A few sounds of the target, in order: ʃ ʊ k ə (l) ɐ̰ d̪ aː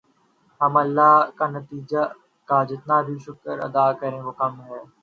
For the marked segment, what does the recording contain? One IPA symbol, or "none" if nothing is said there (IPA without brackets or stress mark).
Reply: ɾ